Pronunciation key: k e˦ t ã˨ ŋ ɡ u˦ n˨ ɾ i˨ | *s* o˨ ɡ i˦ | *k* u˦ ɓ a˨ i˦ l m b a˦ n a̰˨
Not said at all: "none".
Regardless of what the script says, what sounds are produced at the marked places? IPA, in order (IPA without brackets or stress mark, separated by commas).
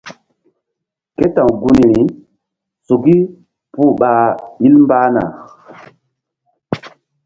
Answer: s, p